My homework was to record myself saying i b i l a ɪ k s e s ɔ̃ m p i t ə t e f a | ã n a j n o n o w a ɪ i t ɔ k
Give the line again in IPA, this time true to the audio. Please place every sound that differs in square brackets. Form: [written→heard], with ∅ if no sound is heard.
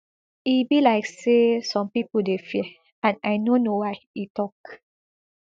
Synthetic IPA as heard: i b i l a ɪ k s e s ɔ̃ m p i [t→p] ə [t→d] e f [a→i] | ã n a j n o n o w a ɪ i t ɔ k